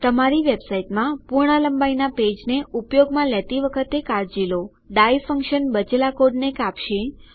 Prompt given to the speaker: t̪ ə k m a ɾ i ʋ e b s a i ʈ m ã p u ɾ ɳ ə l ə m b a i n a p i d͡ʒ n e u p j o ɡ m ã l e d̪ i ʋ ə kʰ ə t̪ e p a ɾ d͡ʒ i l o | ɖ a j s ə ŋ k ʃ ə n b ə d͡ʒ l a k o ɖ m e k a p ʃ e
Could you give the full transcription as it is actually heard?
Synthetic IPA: t̪ ə m a ɾ i ʋ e b s a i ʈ m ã p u ɾ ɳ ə l ə m b a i n a p e d͡ʒ n e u p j o ɡ m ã l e t̪ i ʋ ə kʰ ə t̪ e k a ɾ d͡ʒ i l o | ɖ a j f ə ŋ k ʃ ə n b ə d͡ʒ l a k o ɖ n e k a p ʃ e